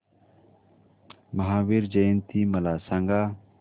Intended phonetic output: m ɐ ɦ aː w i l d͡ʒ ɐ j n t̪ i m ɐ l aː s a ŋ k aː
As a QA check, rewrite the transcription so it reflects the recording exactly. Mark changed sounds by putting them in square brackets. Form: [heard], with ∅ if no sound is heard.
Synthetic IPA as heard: m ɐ ɦ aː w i [ɾ] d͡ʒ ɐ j n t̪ i m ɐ l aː s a ŋ [ɡ] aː